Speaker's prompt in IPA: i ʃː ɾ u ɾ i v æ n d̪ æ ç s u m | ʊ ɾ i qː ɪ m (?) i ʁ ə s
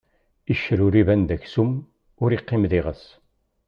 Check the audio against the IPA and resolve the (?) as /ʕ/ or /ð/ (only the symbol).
ð